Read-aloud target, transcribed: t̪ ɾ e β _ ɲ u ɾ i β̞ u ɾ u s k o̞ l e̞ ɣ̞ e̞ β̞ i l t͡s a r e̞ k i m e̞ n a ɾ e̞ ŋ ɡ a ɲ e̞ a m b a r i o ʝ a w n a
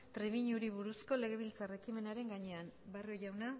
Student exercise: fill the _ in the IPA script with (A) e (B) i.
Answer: B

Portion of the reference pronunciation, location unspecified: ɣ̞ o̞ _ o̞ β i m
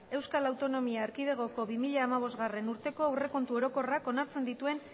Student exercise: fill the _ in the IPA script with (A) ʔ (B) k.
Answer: B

